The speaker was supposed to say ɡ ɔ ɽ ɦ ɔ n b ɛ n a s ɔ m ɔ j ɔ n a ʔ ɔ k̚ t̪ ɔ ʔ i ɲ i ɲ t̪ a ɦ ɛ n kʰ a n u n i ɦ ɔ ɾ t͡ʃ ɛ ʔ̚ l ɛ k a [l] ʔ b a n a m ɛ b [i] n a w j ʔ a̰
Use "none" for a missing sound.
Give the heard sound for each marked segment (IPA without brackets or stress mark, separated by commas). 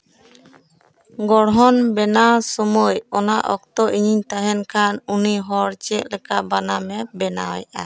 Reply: none, ɛ